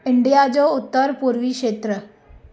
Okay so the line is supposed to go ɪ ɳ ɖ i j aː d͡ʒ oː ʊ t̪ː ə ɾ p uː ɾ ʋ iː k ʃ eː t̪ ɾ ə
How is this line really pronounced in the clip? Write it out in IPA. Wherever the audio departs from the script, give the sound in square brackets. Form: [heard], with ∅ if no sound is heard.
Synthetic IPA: ɪ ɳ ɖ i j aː d͡ʒ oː ʊ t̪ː ə ɾ p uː ɾ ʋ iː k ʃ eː t̪ ɾ ə